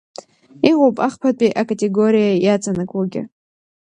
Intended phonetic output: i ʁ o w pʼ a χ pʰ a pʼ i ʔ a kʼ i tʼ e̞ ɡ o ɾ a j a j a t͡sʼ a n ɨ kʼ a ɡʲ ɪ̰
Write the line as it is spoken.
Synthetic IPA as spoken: i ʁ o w pʼ a χ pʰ a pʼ i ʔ a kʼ a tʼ e̞ ɡ o ɾ i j a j a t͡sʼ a n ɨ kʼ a ɡʲ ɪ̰